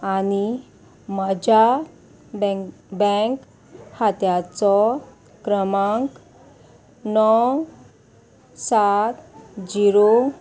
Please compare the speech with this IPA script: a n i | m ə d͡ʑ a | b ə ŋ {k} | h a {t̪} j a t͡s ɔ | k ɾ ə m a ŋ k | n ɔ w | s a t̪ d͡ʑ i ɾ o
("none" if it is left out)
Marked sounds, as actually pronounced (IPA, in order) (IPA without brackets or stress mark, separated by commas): k, t̪